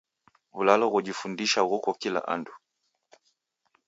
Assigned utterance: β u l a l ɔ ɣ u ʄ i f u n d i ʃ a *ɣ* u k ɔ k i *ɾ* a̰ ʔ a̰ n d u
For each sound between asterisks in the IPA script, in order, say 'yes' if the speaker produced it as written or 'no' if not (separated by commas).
yes, no